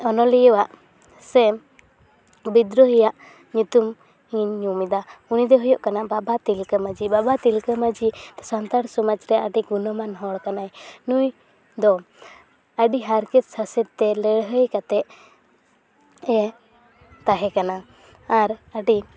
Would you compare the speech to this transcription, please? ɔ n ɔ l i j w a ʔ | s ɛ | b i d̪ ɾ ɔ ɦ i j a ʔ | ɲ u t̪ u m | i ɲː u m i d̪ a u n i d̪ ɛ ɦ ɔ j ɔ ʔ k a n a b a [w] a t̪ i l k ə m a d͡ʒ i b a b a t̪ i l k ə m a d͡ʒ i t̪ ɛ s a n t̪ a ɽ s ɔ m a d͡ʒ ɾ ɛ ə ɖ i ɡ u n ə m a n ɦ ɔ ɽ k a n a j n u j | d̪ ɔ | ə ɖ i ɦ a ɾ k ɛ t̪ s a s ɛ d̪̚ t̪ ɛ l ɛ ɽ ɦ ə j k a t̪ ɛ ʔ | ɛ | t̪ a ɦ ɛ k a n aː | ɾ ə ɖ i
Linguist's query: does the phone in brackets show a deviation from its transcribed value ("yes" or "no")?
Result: yes